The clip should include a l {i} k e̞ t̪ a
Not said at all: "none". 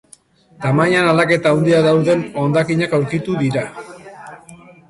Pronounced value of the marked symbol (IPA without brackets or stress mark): a